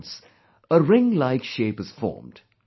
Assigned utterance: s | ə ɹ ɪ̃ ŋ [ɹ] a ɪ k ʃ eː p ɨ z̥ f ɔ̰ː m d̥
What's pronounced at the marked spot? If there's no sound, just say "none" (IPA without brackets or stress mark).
l